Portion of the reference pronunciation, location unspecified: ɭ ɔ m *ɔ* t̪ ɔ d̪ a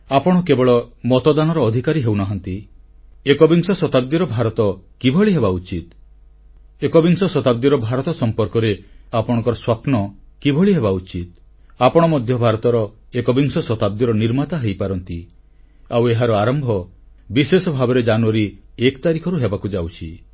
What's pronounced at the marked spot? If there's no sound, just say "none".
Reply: ɔ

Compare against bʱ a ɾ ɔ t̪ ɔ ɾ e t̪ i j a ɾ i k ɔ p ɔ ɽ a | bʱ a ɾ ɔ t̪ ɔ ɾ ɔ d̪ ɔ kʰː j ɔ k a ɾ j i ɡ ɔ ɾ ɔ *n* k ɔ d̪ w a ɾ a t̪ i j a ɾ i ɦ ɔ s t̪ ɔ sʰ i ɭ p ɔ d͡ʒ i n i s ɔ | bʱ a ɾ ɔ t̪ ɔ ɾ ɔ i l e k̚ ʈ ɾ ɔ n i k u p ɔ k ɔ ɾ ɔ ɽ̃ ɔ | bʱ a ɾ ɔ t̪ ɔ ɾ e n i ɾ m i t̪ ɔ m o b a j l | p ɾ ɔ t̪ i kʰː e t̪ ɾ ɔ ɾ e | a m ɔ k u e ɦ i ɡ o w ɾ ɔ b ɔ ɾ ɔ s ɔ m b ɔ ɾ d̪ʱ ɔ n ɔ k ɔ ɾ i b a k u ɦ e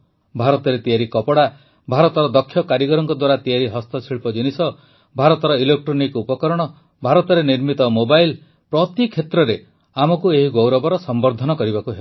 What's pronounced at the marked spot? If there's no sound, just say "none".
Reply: ŋ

